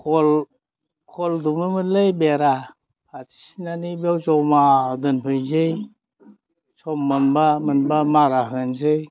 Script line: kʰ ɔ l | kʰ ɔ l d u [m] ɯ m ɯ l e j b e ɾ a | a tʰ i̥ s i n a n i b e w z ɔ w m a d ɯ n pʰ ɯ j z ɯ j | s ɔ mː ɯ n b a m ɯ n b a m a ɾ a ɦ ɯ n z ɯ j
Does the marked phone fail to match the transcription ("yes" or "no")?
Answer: no